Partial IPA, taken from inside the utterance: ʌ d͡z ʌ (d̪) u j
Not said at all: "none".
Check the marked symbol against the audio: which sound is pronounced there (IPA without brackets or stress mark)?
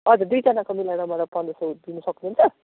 d̪